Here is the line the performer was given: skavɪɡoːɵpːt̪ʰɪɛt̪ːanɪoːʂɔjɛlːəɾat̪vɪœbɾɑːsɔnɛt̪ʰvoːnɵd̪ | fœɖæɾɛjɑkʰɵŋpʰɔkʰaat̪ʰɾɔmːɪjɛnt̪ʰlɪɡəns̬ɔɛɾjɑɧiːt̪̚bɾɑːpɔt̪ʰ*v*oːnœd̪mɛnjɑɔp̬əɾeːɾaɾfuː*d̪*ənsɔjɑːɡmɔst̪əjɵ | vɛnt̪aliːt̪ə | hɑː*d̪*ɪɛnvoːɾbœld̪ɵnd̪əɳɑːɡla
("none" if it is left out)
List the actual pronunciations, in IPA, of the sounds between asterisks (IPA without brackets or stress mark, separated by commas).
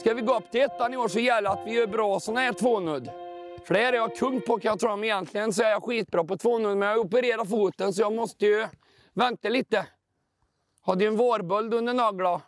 v, t̪, d̪